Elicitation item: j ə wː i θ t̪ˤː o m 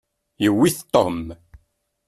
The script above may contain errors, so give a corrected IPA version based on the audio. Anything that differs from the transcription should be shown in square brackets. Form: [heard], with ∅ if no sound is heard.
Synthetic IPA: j ə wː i θ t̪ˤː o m